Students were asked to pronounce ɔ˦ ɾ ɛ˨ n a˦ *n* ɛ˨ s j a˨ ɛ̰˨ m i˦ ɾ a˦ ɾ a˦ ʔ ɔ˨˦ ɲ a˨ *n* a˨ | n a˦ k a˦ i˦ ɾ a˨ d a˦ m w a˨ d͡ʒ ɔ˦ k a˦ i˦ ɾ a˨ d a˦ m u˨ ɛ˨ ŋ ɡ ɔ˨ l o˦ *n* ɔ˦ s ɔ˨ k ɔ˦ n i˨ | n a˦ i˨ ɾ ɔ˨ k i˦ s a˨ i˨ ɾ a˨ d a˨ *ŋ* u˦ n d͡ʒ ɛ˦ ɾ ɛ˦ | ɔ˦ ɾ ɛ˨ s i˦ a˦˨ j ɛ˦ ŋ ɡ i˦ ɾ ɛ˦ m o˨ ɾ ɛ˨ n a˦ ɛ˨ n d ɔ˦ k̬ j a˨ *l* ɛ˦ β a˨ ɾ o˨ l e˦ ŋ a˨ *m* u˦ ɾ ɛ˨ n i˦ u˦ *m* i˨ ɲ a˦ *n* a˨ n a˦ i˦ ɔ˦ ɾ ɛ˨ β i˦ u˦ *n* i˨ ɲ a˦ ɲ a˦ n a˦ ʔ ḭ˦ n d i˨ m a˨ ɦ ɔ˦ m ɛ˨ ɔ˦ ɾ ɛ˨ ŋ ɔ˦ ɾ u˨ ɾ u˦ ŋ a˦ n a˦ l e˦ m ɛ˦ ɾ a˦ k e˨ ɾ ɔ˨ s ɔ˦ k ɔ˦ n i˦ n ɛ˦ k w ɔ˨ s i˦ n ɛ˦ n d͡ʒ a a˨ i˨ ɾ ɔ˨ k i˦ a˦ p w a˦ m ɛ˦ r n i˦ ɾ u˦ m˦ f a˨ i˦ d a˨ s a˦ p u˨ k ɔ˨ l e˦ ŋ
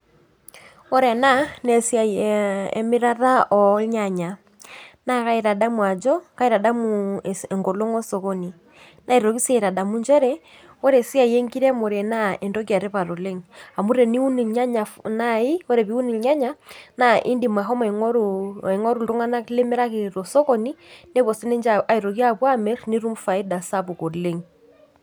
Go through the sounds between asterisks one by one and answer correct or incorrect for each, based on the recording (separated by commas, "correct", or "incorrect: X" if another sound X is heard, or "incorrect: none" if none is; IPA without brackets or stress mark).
correct, incorrect: ɲ, incorrect: ŋ, incorrect: m, incorrect: ɾ, correct, incorrect: n, incorrect: ɲ, correct